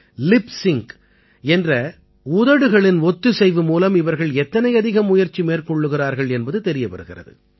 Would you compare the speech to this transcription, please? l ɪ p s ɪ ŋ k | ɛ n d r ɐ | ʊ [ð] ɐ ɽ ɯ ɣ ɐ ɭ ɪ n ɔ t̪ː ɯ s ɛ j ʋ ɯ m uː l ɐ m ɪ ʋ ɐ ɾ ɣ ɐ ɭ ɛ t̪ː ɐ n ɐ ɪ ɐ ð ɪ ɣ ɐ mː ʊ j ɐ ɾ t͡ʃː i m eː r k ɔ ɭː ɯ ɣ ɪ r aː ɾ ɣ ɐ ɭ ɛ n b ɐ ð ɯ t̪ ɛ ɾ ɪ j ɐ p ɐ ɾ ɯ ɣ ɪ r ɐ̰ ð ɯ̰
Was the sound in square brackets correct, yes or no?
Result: yes